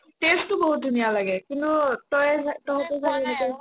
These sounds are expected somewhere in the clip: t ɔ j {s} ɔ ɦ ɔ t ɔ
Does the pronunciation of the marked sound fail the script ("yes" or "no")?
yes